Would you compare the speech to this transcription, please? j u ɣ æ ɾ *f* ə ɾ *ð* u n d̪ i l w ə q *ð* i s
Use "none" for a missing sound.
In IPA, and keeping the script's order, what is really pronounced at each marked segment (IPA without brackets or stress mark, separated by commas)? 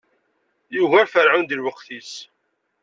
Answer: f, ʕ, θ